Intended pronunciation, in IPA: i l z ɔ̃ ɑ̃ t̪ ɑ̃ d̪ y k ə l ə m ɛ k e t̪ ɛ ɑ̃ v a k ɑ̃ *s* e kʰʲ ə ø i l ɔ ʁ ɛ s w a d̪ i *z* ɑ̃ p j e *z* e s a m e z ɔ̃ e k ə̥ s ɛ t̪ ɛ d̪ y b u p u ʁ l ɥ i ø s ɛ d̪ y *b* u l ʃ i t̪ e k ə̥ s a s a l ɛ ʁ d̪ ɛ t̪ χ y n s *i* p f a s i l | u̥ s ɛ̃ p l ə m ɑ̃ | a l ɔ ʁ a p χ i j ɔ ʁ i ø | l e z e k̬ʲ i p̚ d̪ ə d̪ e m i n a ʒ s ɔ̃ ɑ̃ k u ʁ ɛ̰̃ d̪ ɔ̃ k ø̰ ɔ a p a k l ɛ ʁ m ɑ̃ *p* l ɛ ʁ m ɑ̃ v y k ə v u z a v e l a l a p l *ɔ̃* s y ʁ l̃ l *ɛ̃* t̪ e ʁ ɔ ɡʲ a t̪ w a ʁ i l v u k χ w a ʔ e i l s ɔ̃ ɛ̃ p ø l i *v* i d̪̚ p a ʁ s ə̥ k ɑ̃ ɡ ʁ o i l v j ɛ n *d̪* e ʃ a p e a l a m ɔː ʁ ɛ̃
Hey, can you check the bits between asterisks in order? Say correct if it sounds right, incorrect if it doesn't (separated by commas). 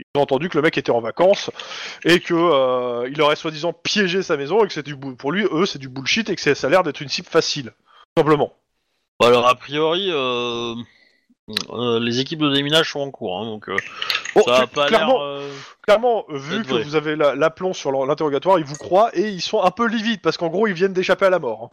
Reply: correct, correct, incorrect, correct, correct, incorrect, correct, correct, correct, correct